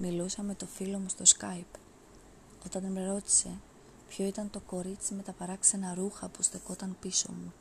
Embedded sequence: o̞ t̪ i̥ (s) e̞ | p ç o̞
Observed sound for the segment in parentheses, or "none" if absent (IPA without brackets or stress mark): s